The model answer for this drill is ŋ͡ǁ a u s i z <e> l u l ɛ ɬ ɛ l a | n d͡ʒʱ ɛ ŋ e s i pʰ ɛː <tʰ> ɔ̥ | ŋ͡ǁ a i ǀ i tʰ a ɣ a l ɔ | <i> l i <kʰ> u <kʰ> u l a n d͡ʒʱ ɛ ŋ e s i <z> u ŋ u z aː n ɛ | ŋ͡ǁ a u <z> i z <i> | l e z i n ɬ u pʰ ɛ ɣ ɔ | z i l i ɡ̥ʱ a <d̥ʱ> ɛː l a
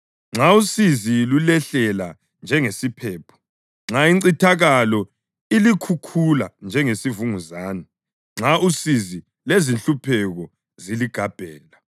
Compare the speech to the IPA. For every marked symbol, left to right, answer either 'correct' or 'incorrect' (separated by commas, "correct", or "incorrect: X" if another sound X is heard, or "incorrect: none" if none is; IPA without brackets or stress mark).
incorrect: i, incorrect: pʰ, correct, correct, correct, incorrect: v, incorrect: s, correct, incorrect: b̥ʱ